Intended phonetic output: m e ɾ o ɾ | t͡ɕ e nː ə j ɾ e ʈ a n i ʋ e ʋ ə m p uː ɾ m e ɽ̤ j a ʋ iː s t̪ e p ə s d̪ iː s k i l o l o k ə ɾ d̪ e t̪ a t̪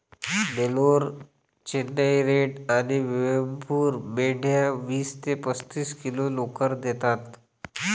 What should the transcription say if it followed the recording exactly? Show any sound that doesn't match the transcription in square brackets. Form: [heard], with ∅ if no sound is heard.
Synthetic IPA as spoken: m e [l] o ɾ | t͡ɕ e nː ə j ɾ e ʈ a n i ʋ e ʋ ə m p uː ɾ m e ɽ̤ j a ʋ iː s t̪ e p ə s [t̪] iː s k i l o l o k ə ɾ d̪ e t̪ a t̪